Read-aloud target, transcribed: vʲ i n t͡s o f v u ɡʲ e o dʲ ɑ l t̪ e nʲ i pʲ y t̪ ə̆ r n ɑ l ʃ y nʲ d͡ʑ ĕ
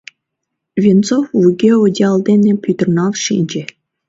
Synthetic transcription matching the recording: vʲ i n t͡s o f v u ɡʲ e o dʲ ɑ l d̪ e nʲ e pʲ y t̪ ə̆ r n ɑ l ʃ i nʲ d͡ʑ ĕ

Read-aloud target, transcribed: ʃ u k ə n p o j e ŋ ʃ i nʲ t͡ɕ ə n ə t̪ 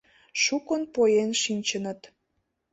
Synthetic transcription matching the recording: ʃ u k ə n p o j e n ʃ i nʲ t͡ɕ ə n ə t̪

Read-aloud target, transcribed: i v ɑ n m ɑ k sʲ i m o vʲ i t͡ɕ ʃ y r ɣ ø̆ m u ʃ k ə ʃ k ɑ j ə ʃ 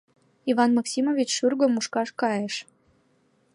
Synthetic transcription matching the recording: i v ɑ n m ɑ k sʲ i m o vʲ i t͡ɕ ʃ y r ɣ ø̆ m u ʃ k ɑ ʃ k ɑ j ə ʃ

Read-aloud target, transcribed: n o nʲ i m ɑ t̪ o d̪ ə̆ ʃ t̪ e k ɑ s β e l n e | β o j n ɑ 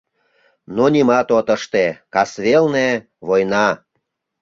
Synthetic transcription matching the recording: n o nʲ i m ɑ t̪ o t̪ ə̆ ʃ t̪ e k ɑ s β e l n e | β o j n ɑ

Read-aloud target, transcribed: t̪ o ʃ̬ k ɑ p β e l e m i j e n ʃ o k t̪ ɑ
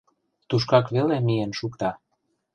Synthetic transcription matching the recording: t̪ u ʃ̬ k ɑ k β e l e m i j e n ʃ u k t̪ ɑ

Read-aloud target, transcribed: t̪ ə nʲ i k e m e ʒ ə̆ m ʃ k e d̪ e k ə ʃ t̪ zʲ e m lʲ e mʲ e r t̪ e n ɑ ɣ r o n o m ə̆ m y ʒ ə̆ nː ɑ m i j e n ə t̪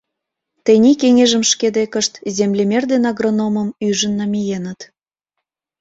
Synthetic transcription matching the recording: t̪ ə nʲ i k e ŋ e ʒ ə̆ m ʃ k e d̪ e k ə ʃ t̪ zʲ e m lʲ e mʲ e r d̪ e n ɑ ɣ r o n o m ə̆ m y ʒ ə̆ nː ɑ m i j e n ə t̪

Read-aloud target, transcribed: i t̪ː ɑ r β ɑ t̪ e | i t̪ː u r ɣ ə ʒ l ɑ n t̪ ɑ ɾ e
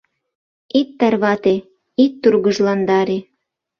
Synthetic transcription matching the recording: i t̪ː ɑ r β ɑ t̪ e | i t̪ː u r ɣ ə ʒ l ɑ n d̪ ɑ ɾ e

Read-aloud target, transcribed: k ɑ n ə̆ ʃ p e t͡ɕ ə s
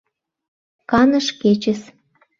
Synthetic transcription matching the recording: k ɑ n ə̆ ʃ k e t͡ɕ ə s

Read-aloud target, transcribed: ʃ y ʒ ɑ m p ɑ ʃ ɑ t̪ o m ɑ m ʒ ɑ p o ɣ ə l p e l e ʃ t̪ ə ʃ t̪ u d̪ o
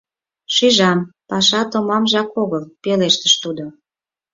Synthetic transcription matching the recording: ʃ y ʒ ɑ m p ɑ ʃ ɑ t̪ o m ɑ m ʒ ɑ k o ɣ ə l p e l e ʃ t̪ ə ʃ t̪ u d̪ o

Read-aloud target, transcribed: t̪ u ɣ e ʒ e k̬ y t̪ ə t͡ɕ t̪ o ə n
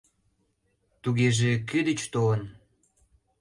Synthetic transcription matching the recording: t̪ u ɣ e ʒ e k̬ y d̪ ə t͡ɕ t̪ o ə n

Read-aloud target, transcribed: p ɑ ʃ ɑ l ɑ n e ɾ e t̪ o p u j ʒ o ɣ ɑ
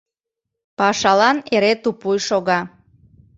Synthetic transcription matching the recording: p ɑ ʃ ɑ l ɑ n e ɾ e t̪ u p u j ʃ o ɣ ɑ

